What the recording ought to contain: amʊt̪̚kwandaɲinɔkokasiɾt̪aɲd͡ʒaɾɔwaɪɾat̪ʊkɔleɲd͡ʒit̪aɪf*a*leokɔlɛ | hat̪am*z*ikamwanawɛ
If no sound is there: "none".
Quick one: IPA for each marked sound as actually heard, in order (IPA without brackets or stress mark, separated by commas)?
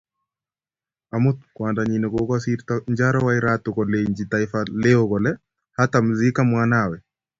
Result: a, z